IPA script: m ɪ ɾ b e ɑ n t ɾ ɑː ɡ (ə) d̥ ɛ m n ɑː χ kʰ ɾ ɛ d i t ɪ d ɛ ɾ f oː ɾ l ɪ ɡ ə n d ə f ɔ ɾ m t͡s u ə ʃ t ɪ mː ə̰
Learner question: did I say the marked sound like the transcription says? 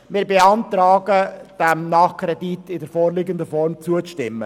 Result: yes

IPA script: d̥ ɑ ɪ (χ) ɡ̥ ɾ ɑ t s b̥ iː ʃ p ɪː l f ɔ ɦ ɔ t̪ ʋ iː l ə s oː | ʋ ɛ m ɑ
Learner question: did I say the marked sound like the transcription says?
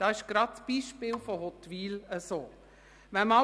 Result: no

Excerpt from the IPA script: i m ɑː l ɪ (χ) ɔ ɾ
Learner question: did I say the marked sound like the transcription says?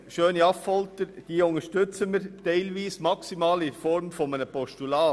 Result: no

